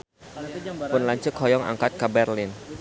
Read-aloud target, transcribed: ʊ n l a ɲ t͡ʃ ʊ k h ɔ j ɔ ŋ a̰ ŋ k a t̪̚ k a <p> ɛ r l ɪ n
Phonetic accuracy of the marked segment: incorrect: b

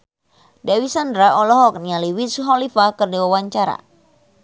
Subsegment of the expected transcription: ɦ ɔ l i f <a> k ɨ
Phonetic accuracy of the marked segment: correct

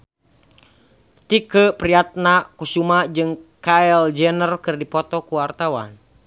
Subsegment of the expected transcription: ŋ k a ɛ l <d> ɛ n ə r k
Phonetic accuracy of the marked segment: incorrect: d͡ʒ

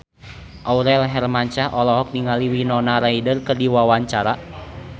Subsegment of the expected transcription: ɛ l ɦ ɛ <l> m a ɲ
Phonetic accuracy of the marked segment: incorrect: r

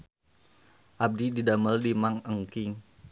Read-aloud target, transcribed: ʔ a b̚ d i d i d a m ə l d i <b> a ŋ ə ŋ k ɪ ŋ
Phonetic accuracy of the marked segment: incorrect: m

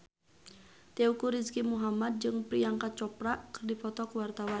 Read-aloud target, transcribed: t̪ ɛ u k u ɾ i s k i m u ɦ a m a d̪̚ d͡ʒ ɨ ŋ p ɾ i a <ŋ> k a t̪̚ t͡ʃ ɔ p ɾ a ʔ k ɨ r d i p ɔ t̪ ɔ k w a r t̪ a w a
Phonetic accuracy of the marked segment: correct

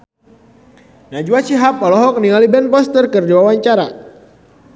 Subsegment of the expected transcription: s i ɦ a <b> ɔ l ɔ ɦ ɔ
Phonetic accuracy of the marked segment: incorrect: p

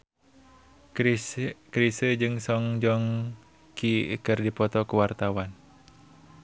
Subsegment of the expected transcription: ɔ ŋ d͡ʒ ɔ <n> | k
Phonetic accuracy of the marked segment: incorrect: ŋ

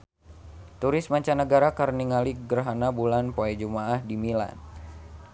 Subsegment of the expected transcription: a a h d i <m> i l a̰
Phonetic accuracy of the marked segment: correct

